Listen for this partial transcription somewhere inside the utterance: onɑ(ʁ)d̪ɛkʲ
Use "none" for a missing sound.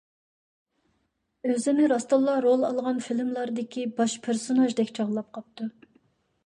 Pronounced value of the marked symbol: ʒ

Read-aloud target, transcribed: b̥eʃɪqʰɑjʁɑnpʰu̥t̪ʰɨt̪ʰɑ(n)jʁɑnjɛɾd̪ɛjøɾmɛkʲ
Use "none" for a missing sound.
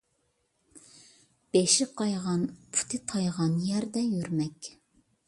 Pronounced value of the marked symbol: none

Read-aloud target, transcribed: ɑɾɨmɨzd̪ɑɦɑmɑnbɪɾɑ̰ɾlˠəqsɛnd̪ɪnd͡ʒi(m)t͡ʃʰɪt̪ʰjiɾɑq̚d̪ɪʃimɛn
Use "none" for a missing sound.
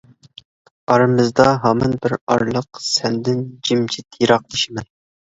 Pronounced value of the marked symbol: m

